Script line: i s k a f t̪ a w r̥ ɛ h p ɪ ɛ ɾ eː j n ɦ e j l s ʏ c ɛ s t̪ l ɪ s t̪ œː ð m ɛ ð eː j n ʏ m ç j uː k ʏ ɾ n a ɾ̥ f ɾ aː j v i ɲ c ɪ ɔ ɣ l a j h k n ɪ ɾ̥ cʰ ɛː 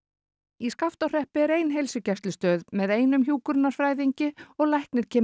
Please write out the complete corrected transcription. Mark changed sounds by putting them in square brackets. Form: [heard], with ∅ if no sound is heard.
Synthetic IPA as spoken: i s k a f t̪ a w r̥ ɛ h p ɪ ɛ ɾ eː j n ɦ e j l s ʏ c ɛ s t̪ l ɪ s t̪ œː ð m ɛ ð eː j n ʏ m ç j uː k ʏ ɾ n a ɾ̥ f ɾ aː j [ð] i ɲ c ɪ ɔ ɣ l a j h k n ɪ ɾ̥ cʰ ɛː